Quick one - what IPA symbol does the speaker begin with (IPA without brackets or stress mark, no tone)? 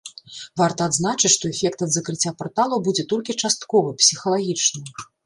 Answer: v